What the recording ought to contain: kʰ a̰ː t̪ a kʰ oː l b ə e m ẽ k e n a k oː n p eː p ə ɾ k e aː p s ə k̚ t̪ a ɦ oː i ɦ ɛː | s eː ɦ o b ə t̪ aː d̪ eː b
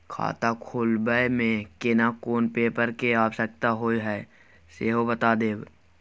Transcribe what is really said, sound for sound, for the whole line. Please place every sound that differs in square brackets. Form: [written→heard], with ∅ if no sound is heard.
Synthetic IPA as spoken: kʰ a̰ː t̪ a kʰ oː l b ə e m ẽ k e n a k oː n p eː p ə ɾ k e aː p s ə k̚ t̪ a ɦ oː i ɦ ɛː | s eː ɦ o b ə t̪ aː d̪ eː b